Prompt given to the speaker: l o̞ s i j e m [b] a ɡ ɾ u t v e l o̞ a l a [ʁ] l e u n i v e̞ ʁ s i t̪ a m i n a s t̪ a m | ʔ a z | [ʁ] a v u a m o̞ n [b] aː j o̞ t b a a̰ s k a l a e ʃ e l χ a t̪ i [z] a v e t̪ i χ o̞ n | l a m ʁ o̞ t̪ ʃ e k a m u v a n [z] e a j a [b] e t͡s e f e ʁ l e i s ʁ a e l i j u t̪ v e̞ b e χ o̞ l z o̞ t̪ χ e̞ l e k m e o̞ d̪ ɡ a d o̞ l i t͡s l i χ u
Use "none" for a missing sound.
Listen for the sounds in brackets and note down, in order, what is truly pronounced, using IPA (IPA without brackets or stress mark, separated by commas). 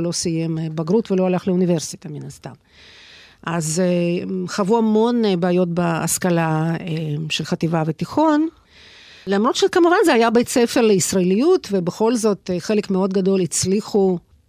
b, χ, χ, b, v, z, b